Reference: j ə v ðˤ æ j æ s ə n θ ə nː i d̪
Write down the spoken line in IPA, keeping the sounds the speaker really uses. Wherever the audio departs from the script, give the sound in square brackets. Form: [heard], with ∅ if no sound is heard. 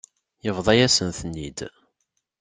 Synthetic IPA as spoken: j ə v ðˤ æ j æ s ə n θ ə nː i d̪